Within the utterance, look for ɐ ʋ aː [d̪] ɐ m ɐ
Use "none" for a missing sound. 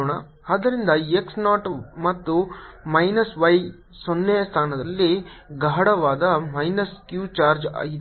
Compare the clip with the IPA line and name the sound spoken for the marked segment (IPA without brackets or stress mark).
d̪